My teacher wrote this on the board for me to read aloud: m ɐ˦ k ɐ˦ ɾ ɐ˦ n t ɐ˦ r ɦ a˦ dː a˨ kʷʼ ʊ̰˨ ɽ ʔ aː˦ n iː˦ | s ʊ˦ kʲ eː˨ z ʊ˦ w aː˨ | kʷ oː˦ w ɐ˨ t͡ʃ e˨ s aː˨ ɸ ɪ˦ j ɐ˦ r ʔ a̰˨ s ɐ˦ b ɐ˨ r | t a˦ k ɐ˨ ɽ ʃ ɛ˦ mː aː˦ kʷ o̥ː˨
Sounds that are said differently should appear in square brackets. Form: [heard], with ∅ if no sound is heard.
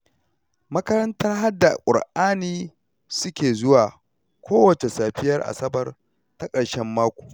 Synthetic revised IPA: m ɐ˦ k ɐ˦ ɾ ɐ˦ n t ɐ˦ r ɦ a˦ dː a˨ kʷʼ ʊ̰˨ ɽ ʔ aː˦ n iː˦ | s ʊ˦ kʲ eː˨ z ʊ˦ w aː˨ | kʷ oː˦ w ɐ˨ t͡ʃ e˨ s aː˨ ɸ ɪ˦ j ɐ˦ r ʔ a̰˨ s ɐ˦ b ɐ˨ r | t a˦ [kʼ] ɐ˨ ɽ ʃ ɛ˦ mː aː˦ kʷ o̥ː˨

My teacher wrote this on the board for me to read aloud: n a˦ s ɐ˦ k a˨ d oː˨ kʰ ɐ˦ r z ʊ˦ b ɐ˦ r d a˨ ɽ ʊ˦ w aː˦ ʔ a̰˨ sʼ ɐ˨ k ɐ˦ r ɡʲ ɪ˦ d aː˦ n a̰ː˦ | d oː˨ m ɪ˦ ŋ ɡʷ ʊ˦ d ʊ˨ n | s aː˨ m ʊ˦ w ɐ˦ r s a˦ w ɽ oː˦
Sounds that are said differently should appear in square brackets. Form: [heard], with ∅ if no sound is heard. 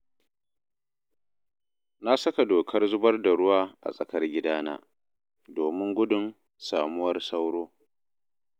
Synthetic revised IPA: n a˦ s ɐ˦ k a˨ d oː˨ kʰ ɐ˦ r z ʊ˦ b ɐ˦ r d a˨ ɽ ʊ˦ w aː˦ ʔ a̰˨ sʼ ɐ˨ k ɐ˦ r ɡʲ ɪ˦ d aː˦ n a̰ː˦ | d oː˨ m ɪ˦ ŋ ɡʷ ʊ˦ d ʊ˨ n | s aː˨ m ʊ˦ w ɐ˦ r s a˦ w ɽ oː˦

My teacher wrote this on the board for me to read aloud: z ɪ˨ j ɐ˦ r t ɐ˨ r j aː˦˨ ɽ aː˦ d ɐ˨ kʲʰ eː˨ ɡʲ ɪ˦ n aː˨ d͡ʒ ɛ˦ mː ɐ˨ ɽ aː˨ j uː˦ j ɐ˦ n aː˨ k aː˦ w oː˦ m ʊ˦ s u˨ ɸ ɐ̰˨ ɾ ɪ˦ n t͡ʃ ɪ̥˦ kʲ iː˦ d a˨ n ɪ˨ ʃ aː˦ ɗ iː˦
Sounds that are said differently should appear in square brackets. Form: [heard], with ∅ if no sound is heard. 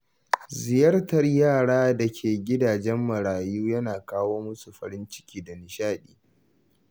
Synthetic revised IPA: z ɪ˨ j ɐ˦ r t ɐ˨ r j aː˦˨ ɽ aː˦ d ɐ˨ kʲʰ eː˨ ɡʲ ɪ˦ [d] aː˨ d͡ʒ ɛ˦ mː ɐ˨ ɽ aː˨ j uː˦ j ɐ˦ n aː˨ k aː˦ w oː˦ m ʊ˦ s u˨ ɸ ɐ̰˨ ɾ ɪ˦ n t͡ʃ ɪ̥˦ kʲ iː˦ d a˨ n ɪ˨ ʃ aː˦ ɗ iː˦

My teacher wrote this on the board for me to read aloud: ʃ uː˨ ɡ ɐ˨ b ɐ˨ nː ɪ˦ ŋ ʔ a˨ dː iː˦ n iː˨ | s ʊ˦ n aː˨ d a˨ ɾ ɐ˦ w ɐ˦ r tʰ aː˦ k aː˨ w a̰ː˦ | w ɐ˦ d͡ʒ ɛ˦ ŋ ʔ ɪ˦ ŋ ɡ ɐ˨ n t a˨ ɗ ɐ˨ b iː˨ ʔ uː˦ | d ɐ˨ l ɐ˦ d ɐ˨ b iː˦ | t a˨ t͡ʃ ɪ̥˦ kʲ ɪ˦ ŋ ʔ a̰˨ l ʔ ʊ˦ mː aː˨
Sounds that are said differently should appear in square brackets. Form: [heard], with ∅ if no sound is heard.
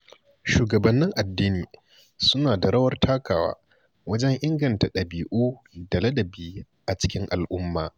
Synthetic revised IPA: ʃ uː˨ ɡ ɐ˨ b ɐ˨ nː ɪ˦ ŋ ʔ a˨ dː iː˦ n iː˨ | s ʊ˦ n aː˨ d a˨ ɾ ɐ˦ w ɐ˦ r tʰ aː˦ k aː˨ w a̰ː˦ | w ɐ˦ d͡ʒ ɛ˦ ŋ ʔ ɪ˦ ŋ ɡ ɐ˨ n t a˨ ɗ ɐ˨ b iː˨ ʔ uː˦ | d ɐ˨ l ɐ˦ d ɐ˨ b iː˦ | [ʔ] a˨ t͡ʃ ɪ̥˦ kʲ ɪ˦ ŋ ʔ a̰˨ l ʔ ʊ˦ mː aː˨

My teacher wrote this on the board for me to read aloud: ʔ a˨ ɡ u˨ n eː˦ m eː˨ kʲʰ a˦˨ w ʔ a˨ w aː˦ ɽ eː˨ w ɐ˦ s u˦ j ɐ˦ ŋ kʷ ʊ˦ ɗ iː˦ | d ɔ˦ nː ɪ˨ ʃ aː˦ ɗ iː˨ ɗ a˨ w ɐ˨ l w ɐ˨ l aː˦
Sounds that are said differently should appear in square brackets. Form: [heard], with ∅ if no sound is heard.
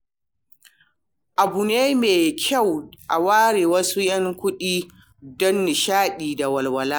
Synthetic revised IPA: ʔ a˨ [b] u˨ n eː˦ m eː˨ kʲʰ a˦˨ w ʔ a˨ w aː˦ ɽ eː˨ w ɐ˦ s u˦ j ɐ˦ ŋ kʷ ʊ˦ ɗ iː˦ | d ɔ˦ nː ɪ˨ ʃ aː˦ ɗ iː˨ [d] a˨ w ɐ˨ l w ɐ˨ l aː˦

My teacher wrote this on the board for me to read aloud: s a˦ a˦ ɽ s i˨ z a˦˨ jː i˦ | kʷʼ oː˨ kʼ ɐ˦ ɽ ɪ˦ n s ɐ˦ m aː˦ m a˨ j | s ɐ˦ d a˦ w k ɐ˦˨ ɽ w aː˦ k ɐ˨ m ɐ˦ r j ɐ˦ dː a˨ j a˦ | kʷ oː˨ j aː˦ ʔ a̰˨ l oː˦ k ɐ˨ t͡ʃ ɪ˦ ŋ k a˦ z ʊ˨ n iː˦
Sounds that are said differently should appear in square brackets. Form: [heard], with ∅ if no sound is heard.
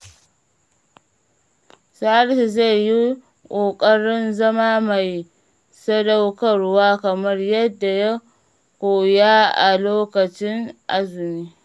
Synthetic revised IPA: s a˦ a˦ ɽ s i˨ z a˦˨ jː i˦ | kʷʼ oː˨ kʼ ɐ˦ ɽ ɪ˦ n [z] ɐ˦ m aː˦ m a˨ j | s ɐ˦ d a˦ w k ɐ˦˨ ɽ w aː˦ k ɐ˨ m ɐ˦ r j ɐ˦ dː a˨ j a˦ | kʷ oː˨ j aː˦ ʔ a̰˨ l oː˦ k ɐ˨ t͡ʃ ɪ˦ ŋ [ʔ] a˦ z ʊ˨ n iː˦

